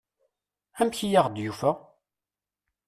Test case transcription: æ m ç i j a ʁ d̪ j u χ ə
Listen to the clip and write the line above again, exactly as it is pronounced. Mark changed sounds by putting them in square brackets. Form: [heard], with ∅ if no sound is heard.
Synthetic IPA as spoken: æ m ç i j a ʁ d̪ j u [f] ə